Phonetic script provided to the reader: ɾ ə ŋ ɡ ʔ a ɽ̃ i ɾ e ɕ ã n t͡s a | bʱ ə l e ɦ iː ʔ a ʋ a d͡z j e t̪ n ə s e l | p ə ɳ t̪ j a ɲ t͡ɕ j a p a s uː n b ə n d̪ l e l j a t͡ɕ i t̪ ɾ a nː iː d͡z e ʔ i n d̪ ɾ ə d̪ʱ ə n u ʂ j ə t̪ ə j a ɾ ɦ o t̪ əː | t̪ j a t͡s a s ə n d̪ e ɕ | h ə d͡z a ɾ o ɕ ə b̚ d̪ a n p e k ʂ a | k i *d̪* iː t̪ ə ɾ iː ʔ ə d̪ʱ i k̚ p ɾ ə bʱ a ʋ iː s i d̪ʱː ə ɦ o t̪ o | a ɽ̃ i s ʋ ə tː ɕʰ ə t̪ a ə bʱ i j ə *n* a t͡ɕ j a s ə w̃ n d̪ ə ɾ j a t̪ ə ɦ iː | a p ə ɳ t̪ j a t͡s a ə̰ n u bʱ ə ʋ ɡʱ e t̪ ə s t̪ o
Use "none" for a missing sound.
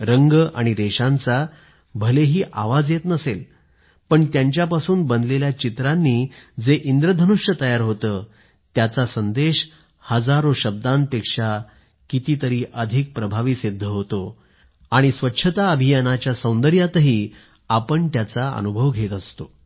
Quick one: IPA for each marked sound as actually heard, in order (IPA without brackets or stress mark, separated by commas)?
t̪, n